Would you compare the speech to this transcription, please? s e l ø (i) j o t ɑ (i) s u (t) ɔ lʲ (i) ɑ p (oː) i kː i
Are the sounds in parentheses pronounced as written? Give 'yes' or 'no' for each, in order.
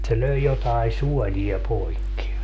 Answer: yes, yes, no, yes, no

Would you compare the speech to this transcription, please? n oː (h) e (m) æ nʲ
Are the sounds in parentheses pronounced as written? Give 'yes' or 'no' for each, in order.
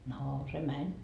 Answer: no, yes

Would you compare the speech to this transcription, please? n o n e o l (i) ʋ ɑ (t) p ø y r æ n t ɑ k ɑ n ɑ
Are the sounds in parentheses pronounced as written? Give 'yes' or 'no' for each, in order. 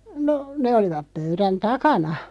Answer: yes, no

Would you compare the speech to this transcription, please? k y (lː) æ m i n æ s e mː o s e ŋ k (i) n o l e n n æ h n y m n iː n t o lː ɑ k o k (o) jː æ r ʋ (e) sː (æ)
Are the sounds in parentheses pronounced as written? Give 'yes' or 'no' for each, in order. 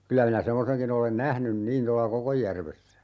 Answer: no, yes, yes, yes, yes

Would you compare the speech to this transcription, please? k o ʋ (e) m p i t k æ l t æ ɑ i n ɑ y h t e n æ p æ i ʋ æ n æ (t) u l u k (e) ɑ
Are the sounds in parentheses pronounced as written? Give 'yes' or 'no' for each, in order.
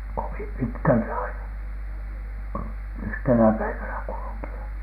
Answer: no, no, no

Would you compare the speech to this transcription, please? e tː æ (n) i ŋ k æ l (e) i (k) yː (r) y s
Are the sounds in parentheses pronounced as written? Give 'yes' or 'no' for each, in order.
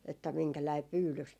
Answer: no, no, no, no

